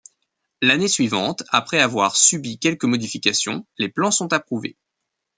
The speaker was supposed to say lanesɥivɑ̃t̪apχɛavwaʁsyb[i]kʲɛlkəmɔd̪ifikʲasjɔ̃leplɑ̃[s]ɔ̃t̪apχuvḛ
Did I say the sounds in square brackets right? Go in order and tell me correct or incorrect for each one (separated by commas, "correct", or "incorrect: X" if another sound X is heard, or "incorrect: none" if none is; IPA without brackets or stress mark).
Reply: correct, correct